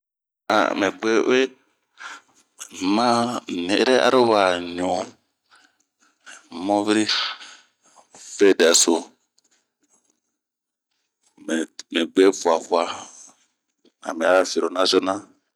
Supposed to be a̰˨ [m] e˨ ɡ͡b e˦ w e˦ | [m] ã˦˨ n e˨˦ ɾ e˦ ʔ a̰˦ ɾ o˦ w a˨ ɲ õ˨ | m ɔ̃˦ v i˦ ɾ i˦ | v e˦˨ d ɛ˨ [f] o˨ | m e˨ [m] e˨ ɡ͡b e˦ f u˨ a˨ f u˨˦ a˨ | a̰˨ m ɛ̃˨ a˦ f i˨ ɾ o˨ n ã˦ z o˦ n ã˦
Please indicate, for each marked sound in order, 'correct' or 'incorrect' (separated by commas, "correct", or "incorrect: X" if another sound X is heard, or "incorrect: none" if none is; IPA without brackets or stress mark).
correct, correct, incorrect: s, correct